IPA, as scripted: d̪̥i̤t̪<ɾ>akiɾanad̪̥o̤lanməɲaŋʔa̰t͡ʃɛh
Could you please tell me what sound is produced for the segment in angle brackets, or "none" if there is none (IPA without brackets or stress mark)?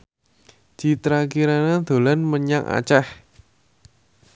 ɾ